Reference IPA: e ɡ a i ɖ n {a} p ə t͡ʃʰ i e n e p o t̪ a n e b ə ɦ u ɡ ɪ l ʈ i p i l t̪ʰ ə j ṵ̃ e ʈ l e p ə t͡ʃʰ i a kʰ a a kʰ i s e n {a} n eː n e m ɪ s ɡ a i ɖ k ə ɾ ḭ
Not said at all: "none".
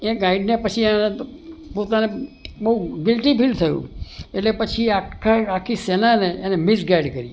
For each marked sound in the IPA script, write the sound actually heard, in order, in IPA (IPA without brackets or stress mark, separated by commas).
e, a